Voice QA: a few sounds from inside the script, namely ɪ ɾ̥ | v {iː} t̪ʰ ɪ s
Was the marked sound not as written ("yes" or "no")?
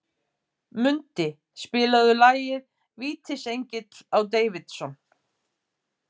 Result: no